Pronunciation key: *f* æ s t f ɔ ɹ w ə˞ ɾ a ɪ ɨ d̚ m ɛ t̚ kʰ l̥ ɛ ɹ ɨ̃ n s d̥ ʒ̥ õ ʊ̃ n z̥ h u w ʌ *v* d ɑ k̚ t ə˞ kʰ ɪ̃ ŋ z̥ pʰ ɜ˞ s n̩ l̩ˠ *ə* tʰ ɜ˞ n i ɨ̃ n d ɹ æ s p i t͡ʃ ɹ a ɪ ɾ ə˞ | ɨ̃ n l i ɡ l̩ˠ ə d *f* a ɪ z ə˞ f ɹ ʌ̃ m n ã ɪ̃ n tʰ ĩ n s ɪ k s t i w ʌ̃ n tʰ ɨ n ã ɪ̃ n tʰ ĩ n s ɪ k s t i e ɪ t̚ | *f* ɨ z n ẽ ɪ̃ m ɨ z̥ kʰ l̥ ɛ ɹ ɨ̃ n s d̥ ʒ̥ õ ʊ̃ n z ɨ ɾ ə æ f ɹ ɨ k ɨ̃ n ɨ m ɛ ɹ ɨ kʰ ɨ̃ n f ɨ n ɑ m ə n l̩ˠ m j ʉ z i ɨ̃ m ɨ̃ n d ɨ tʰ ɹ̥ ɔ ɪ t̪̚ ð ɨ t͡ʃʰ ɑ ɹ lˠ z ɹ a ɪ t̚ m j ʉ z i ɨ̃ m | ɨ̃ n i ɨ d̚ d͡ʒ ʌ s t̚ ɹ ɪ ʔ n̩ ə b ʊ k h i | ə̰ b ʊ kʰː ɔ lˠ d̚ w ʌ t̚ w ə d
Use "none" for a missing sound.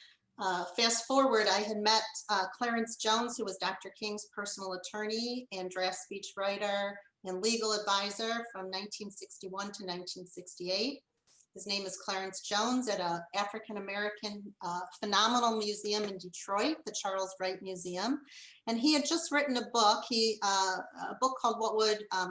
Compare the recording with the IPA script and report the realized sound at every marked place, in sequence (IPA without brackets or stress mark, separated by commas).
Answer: f, z, ə, v, h